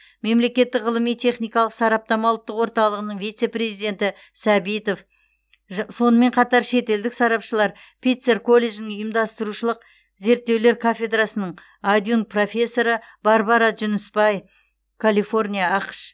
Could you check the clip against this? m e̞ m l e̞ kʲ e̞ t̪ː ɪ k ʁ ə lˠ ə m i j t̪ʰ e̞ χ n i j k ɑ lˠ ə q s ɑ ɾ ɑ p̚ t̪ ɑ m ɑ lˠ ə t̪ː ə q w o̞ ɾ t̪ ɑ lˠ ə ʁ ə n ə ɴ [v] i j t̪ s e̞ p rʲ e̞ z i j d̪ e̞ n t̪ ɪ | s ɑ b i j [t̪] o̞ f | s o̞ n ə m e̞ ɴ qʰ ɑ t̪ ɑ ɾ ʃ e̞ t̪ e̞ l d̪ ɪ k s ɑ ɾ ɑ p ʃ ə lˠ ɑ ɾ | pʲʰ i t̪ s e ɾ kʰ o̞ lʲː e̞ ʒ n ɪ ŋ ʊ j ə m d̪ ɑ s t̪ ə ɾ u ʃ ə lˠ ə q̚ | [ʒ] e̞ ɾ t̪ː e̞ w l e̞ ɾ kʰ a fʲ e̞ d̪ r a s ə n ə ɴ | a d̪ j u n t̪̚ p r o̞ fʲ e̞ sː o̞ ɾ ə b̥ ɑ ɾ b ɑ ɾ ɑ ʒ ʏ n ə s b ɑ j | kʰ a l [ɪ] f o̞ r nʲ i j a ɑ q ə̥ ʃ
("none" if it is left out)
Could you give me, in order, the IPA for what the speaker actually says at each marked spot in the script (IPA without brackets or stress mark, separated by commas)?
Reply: v, t̪, z, i